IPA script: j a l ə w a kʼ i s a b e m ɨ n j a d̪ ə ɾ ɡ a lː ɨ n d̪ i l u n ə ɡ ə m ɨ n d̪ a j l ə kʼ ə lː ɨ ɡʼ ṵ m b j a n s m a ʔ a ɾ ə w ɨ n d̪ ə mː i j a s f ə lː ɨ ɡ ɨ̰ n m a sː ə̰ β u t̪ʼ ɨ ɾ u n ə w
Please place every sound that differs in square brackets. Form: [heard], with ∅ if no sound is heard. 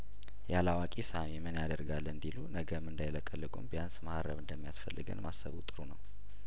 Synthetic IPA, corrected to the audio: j a l [a] w a kʼ i s a [m] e m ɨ n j a d̪ ə ɾ ɡ a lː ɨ n d̪ i l u n ə ɡ ə m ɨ n d̪ a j l ə kʼ ə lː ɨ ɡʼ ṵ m b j a n s m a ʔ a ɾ ə [β] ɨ n d̪ ə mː i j a s f ə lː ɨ ɡ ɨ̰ n m a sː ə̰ β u t̪ʼ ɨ ɾ u n ə w